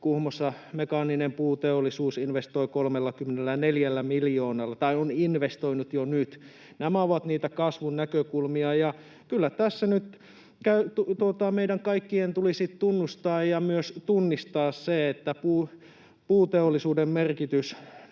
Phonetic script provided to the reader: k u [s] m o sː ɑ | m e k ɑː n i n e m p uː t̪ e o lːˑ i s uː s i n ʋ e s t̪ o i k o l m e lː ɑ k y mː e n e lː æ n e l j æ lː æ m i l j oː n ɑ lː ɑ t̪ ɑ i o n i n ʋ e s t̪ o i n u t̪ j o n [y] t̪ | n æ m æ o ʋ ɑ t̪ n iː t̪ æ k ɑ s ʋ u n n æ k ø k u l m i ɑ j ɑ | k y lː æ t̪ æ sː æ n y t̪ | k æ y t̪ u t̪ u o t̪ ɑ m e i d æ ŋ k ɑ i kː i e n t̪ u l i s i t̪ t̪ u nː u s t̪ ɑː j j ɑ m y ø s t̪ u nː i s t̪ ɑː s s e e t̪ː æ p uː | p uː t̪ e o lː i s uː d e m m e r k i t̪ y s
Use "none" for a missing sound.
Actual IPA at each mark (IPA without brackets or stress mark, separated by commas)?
h, y